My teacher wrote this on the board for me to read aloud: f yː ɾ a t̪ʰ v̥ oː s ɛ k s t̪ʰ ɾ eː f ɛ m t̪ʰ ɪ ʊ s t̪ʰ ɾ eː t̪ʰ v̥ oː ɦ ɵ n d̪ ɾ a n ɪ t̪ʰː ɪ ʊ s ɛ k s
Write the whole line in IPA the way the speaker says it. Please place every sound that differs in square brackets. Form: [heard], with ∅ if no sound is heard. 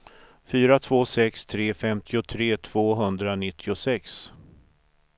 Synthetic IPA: f yː ɾ a t̪ʰ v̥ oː s ɛ k s t̪ʰ ɾ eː f ɛ m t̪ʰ ɪ ʊ [∅] t̪ʰ ɾ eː t̪ʰ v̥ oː ɦ ɵ n d̪ ɾ a n ɪ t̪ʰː ɪ ʊ s ɛ k s